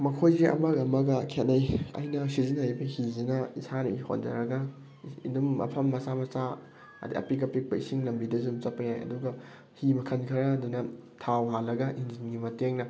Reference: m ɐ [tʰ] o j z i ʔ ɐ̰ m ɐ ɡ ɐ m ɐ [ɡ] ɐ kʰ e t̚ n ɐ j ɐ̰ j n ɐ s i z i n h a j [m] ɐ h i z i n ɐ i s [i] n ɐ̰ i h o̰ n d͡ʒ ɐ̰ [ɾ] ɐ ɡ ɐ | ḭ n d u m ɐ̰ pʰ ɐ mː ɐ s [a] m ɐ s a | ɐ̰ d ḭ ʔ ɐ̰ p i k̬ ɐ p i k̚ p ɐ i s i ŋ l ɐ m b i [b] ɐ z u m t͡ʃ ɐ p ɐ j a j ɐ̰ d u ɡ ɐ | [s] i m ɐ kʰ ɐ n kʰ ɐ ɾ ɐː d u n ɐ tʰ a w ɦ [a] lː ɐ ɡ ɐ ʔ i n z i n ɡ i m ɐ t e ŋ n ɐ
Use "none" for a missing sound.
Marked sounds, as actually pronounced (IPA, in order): kʰ, ɡ, b, a, ɾ, a, d, h, a

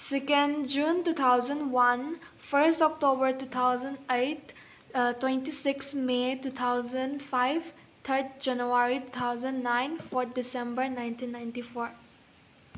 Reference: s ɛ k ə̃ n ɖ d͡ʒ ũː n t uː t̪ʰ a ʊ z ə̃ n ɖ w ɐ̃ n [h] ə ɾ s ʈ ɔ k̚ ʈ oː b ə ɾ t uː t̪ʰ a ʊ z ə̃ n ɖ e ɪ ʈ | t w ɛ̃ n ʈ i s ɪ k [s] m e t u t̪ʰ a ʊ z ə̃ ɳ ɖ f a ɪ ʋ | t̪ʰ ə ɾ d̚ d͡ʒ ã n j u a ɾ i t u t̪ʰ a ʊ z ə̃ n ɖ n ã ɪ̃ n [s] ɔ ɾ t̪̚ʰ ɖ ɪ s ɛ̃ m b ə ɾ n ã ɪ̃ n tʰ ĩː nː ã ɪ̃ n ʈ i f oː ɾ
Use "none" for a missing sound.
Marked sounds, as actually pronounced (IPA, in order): f, s, f

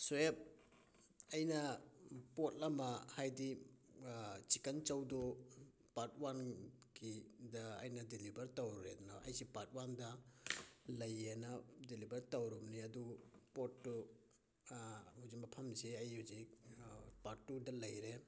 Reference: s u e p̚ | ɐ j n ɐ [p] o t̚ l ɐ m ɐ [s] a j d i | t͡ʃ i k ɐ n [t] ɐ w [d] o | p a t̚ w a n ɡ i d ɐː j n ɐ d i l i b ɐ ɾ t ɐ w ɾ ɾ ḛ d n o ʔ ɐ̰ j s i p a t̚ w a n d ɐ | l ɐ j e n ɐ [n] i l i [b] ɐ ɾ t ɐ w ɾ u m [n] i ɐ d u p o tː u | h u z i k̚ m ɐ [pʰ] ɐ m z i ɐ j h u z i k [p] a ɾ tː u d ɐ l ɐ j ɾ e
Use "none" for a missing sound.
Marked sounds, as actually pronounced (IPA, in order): p, h, t͡ʃ, d, d, b, n, pʰ, p

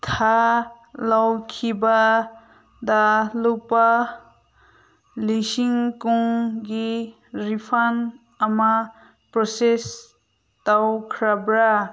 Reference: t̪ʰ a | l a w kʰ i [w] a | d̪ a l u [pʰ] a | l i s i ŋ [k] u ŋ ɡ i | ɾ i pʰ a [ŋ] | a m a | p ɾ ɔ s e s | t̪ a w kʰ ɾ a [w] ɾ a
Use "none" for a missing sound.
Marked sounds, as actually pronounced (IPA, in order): b, p, k, n, b

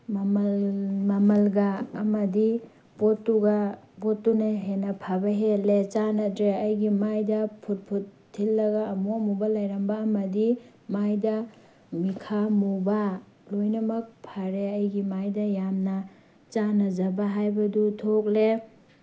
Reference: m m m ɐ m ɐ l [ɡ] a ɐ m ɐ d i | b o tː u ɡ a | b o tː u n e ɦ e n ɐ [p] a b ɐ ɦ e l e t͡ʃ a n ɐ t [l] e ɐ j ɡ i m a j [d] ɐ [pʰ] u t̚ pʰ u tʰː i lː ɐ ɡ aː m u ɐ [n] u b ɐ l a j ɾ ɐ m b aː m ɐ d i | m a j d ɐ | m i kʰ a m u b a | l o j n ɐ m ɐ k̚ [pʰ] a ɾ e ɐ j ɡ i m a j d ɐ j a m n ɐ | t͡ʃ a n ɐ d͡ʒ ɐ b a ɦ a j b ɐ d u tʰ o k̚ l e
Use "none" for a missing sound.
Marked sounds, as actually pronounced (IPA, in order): ɡ, pʰ, ɾ, d, pʰ, m, pʰ

